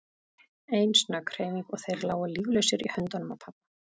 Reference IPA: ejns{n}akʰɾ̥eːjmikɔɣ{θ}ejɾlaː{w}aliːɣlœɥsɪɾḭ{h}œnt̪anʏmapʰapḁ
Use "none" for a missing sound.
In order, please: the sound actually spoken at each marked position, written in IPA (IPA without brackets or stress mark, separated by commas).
n, θ, w, h